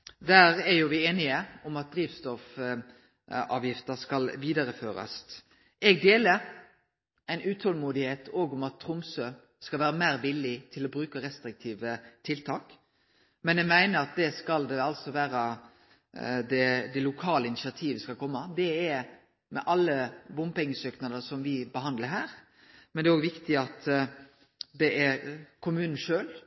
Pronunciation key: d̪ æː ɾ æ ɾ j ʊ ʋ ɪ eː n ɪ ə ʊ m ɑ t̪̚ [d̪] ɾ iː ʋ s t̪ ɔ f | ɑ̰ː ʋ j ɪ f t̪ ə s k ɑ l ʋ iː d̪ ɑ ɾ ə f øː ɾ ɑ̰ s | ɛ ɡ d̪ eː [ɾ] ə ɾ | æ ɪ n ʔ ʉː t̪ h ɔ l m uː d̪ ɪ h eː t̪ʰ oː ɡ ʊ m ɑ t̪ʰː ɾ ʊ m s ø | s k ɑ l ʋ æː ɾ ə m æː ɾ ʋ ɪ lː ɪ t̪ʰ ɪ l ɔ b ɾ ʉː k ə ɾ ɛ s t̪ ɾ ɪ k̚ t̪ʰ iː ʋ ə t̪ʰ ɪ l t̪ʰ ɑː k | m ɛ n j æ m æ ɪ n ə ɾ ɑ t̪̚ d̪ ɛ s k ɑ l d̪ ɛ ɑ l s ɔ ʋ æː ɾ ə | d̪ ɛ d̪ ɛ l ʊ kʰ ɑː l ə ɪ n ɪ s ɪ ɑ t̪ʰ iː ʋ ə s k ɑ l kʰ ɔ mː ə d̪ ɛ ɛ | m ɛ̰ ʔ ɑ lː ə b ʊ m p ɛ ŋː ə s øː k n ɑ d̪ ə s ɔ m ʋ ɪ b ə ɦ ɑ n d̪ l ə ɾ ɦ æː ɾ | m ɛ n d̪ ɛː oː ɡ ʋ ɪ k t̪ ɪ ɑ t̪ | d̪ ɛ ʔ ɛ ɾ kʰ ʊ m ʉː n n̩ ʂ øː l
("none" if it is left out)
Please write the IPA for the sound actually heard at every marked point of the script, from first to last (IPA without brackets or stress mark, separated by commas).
d̪, l